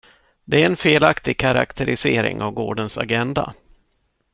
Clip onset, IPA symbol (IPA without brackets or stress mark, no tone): d̪